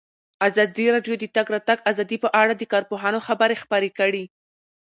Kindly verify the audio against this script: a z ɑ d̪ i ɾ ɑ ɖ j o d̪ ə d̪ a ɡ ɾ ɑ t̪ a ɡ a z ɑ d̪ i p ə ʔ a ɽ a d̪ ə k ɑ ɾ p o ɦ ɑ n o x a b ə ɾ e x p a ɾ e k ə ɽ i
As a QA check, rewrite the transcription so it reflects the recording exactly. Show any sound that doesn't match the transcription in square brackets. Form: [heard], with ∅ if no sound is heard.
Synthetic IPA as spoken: a z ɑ d̪ i ɾ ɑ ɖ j o d̪ ə [t̪] a ɡ ɾ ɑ t̪ a ɡ a z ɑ d̪ i p ə ʔ a ɽ a d̪ ə k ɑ ɾ p o ɦ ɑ n o x a b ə ɾ e x p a ɾ e k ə ɽ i